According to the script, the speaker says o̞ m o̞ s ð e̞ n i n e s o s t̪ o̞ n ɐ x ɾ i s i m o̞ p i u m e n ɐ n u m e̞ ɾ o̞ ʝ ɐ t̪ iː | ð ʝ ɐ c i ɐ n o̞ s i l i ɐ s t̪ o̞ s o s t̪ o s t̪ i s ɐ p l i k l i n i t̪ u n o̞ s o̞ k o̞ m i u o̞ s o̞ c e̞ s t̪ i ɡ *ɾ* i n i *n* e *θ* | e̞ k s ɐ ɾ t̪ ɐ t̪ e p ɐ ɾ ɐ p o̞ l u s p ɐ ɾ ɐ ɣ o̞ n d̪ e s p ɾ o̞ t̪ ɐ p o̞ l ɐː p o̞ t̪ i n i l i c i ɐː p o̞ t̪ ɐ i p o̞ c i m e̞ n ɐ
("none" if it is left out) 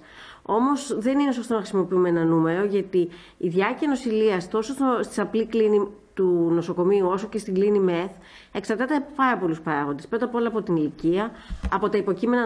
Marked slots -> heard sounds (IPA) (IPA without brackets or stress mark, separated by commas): l, m, θ